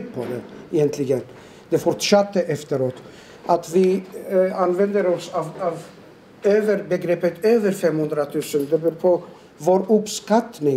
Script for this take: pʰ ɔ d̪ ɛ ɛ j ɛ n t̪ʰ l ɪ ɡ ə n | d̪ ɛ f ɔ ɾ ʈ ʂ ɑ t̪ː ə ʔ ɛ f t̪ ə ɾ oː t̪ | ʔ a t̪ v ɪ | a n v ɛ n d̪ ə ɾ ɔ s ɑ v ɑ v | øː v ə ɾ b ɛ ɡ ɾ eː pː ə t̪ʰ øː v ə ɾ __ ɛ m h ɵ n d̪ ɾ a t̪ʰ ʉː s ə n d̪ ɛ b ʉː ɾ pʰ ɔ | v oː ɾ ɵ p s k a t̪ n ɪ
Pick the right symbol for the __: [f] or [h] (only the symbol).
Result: f